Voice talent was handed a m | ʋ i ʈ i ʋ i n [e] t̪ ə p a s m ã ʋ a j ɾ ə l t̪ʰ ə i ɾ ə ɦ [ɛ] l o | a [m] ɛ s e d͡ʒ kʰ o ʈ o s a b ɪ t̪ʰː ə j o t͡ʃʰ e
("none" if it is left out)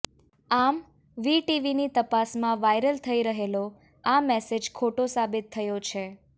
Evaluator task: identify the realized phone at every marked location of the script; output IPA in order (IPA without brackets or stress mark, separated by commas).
i, e, m